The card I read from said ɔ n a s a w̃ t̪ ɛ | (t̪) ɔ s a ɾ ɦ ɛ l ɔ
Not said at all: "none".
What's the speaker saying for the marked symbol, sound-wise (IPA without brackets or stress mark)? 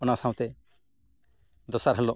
d̪